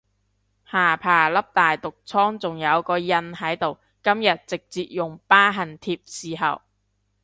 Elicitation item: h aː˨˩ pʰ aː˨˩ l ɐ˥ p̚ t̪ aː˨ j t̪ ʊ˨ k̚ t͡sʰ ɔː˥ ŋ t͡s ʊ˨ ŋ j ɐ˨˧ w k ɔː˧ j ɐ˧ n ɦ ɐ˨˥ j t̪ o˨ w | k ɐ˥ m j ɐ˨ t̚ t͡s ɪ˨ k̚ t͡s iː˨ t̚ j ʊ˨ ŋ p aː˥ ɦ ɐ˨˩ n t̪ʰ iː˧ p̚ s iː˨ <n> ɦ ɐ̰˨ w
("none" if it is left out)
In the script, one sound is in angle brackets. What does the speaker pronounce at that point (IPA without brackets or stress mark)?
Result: none